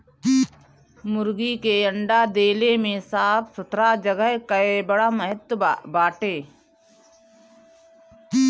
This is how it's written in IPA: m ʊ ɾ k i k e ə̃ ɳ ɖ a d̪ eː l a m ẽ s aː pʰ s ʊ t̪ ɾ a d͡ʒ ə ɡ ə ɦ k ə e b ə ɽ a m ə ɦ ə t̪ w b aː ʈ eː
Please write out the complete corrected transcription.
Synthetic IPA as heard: m ʊ ɾ ɡ i k e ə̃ ɳ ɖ a d̪ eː l e m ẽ s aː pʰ s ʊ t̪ ɾ a d͡ʒ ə ɡ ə ɦ k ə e b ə ɽ a m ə ɦ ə t̪ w b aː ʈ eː